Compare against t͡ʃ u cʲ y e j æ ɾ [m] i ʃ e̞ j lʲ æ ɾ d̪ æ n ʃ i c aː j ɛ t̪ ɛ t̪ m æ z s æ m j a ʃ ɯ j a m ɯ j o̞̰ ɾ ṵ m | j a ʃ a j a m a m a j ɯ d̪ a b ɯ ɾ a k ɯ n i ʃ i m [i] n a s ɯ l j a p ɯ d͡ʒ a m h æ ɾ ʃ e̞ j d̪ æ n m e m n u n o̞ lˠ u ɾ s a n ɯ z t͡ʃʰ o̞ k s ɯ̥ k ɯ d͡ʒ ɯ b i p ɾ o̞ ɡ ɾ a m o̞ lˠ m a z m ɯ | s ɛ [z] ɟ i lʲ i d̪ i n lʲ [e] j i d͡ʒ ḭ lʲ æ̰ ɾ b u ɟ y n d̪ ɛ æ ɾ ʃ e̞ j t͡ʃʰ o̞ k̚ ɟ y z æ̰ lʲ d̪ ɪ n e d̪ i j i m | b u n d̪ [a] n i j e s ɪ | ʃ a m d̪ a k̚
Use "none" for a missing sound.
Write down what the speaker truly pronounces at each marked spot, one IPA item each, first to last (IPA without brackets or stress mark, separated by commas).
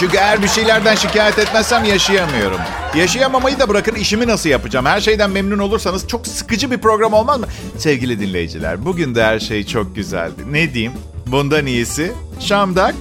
b, i, v, e, a